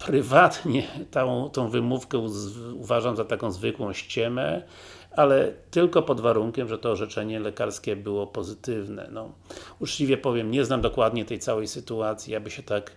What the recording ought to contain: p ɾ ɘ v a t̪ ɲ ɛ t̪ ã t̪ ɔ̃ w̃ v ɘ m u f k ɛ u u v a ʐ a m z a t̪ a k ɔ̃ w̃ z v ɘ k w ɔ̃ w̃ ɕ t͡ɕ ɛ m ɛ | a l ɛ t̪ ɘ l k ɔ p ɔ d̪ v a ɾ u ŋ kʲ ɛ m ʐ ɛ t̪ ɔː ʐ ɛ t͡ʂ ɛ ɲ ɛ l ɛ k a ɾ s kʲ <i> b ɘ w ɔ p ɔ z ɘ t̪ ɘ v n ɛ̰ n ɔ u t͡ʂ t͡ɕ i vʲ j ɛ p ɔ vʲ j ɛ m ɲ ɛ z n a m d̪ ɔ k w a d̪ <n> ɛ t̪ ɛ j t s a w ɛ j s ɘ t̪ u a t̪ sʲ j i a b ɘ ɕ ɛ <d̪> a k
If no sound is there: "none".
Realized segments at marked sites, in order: ɛ, ɲ, t̪

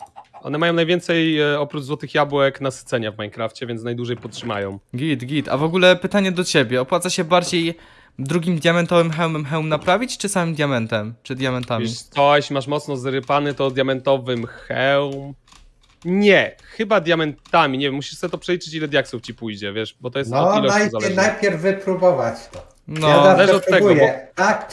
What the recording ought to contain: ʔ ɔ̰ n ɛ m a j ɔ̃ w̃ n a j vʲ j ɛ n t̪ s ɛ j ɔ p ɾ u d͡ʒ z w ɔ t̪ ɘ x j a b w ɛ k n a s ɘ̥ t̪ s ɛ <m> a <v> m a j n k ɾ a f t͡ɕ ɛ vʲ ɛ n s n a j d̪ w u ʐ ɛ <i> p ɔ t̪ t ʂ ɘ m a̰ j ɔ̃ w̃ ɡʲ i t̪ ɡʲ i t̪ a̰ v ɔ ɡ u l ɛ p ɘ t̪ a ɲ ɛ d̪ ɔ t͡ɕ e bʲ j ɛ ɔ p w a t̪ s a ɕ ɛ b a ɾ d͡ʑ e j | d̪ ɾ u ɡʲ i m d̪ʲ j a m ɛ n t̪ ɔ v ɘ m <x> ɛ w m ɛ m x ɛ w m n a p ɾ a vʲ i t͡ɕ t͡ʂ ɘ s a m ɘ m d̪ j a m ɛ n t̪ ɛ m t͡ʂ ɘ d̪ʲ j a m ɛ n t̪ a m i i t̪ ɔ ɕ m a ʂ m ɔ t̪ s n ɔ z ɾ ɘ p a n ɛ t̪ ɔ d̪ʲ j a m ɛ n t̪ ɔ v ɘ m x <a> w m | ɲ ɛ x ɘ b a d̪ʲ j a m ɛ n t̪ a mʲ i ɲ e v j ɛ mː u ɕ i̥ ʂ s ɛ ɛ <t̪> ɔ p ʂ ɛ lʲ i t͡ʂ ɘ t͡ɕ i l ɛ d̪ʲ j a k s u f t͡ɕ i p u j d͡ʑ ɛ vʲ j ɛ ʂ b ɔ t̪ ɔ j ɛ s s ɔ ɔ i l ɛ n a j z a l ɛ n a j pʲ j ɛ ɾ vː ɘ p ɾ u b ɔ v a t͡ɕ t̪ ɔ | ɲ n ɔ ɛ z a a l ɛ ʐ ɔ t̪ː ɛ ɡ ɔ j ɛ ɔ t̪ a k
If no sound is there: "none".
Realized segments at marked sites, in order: ɲ, v, j, x, ɛ, t̪

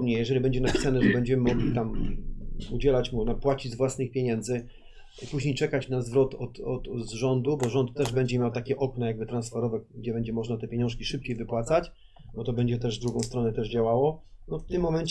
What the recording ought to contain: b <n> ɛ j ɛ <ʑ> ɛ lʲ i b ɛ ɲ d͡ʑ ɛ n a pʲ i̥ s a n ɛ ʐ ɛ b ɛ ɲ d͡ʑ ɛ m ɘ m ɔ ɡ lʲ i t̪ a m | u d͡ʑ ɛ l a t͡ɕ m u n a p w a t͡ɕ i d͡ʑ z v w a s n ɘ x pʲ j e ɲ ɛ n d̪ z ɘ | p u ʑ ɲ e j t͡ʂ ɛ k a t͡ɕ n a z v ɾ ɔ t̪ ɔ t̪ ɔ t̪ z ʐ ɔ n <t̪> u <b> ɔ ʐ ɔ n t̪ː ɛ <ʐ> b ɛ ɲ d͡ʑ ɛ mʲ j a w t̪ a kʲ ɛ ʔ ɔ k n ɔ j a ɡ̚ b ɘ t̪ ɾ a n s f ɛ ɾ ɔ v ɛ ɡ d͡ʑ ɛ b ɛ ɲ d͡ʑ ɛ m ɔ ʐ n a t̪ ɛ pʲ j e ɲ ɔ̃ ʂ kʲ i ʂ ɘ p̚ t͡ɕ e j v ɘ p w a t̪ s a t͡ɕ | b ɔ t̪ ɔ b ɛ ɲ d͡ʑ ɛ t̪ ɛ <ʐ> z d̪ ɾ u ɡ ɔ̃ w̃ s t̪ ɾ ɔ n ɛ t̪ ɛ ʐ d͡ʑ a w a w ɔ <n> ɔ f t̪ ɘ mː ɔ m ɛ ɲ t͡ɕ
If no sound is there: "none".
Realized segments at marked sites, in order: ɲ, ʐ, d̪, b, ʐ, ʐ, n

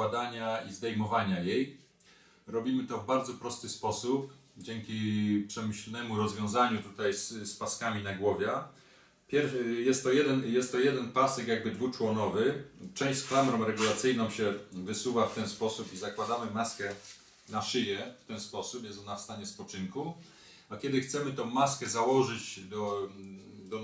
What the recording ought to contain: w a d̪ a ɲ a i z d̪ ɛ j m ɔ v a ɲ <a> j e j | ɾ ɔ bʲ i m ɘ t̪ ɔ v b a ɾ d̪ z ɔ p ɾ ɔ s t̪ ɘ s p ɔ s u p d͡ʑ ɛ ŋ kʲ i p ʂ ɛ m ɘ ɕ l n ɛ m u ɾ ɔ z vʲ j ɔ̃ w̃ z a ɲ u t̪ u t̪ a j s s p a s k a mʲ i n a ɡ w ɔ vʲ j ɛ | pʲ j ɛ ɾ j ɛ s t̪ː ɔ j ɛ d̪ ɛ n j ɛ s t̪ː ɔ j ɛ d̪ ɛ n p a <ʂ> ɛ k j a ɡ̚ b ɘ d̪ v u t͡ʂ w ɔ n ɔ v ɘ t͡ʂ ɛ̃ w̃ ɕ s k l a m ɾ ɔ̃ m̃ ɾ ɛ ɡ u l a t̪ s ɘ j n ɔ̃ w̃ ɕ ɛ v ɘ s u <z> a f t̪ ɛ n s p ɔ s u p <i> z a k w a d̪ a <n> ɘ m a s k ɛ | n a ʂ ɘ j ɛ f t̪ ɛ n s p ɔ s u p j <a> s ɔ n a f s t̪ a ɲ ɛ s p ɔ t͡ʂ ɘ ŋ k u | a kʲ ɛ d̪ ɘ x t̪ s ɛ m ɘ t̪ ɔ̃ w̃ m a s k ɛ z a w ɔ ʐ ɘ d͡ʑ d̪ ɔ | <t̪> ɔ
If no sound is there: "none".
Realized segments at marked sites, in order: a, s, v, i, m, ɛ, d̪

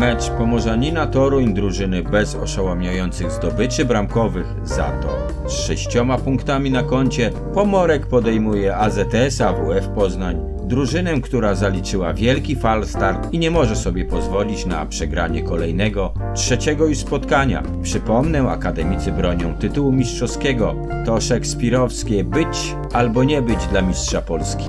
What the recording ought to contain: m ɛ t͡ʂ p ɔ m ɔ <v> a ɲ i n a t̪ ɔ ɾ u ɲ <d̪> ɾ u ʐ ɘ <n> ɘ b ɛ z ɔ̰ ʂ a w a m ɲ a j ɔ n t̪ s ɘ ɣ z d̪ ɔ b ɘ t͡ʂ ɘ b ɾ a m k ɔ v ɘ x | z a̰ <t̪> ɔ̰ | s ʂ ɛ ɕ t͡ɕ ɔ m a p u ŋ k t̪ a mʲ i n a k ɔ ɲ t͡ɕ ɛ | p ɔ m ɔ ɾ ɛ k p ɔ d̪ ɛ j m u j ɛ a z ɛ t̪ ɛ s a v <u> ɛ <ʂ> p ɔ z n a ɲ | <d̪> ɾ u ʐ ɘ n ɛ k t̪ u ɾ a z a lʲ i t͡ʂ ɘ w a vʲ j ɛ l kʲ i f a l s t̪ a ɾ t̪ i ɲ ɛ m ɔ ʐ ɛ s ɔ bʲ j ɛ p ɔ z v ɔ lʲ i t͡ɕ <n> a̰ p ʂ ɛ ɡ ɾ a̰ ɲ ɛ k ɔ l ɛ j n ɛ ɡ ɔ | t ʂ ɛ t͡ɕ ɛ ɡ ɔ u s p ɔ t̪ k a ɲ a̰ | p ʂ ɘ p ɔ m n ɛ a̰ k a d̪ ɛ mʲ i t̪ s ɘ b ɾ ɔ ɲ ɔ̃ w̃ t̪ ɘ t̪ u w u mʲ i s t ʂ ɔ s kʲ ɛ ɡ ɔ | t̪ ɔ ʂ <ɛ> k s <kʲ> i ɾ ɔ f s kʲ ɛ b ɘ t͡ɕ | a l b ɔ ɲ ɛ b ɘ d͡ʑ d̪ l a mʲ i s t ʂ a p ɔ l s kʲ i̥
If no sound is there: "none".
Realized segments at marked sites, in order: ʐ, d̪, n, t̪, u, f, d̪, n, ɛ, pʲ

